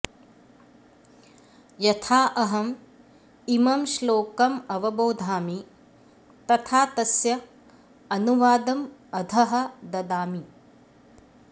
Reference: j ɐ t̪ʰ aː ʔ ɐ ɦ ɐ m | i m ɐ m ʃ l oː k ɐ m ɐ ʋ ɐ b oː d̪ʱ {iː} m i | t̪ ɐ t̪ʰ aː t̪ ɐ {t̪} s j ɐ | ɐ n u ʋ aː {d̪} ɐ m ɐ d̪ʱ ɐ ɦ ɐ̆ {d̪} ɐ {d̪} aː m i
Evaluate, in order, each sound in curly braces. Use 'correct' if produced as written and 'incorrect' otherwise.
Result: incorrect: aː, incorrect: none, correct, correct, correct

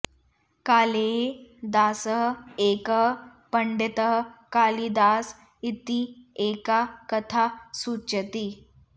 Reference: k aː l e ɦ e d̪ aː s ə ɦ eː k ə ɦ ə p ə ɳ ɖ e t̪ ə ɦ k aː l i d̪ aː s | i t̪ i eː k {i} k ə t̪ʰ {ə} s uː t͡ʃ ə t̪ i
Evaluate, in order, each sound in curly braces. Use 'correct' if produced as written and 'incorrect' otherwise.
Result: incorrect: a, incorrect: a

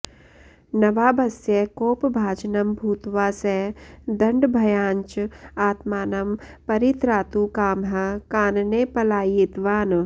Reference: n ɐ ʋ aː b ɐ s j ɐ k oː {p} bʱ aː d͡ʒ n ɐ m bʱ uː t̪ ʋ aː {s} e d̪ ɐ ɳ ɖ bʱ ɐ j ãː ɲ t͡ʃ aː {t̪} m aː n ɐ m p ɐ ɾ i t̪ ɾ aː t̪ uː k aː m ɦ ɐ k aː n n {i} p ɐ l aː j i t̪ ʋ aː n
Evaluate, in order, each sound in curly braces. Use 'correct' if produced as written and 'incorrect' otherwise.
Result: correct, correct, correct, incorrect: e

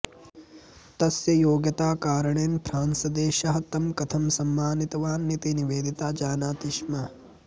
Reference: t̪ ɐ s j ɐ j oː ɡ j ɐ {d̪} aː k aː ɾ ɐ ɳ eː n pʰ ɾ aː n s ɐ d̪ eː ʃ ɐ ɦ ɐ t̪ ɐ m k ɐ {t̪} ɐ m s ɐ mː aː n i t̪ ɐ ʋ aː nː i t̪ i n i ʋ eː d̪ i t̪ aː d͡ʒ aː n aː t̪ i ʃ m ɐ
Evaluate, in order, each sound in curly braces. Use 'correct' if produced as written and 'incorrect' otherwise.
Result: incorrect: t̪, incorrect: t̪ʰ

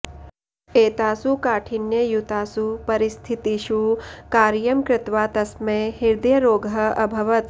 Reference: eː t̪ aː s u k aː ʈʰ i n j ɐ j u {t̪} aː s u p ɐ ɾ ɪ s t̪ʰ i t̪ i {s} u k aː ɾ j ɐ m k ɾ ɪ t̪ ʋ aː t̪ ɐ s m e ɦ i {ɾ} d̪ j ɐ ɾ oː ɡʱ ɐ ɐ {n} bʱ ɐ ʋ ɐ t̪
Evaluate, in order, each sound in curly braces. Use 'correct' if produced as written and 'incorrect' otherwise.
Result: correct, incorrect: ʃ, correct, incorrect: none

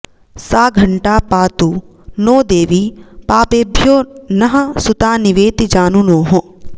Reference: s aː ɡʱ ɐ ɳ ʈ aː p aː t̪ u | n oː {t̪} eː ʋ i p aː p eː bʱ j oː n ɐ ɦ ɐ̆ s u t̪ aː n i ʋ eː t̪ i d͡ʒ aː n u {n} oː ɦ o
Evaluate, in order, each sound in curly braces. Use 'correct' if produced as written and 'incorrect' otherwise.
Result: incorrect: d̪, correct

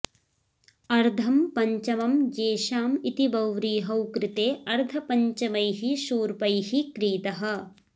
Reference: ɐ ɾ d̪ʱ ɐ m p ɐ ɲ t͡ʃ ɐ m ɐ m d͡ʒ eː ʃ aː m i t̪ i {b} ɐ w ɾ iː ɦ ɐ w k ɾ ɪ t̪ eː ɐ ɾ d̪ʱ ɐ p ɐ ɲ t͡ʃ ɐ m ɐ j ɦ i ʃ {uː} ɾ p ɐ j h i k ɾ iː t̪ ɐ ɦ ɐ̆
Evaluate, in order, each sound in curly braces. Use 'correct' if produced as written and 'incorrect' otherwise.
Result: correct, correct

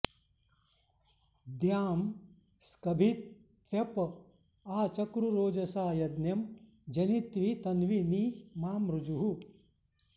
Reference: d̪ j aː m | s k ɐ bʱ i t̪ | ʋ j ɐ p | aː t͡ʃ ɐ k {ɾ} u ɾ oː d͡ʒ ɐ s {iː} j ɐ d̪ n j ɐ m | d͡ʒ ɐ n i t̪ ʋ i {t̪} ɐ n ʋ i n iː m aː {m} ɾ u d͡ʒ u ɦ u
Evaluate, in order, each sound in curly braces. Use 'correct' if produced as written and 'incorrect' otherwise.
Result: correct, incorrect: aː, correct, correct

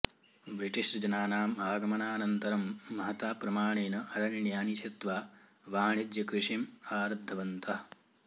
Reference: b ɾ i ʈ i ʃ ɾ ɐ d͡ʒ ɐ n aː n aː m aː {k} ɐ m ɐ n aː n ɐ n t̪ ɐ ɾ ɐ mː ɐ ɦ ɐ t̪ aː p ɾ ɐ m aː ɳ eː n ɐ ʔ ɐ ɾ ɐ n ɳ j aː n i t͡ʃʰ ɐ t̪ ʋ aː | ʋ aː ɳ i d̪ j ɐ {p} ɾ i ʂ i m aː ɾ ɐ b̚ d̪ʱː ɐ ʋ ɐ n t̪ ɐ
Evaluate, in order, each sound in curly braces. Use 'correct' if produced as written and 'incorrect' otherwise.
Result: incorrect: ɡ, incorrect: k

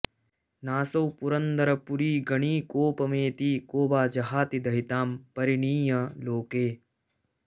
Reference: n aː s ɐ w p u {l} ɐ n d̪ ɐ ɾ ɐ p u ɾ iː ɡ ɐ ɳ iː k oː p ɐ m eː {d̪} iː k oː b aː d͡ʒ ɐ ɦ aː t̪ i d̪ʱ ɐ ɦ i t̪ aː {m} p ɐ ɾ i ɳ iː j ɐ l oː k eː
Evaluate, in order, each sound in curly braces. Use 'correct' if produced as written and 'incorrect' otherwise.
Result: incorrect: ɾ, incorrect: t̪, correct

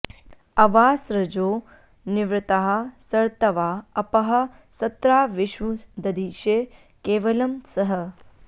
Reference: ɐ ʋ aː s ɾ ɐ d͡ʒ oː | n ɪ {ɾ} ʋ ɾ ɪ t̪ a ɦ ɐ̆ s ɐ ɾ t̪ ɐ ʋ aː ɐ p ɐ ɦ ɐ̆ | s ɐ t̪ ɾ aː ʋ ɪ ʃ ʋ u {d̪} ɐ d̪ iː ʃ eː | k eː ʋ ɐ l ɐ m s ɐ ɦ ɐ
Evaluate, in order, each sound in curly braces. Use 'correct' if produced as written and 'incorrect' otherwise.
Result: incorrect: none, correct

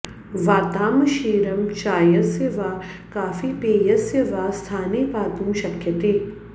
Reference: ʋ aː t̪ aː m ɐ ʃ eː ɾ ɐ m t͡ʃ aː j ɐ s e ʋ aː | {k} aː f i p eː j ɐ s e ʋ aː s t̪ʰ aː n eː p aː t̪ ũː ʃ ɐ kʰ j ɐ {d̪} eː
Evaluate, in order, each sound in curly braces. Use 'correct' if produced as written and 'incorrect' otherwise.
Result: correct, incorrect: t̪

